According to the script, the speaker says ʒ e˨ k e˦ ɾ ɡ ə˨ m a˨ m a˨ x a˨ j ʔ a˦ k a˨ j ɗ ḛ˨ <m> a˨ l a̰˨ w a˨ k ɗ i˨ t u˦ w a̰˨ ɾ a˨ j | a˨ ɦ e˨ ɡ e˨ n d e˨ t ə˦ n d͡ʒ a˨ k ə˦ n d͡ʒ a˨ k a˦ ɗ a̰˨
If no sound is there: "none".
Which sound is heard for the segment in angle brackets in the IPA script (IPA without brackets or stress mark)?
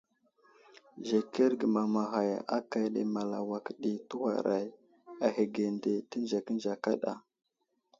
m